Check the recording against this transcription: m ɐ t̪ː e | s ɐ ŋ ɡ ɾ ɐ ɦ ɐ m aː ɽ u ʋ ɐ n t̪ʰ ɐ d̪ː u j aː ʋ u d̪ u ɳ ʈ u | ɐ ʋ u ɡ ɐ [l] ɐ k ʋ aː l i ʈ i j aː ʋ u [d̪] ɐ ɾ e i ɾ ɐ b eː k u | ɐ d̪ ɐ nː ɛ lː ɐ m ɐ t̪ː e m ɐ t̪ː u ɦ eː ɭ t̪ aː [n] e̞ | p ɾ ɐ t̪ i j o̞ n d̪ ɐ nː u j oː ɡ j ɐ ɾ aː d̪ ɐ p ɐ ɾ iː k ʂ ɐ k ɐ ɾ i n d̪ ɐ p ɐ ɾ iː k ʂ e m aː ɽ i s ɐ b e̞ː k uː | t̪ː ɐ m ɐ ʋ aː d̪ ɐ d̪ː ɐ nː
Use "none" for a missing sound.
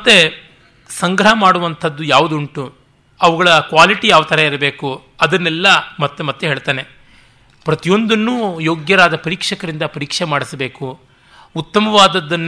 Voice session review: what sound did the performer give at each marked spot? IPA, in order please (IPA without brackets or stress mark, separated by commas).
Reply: ɭ, t̪, n